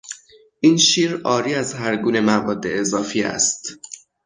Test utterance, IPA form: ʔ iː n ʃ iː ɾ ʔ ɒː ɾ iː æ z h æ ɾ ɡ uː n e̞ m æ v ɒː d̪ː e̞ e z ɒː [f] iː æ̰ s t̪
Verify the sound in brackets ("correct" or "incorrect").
correct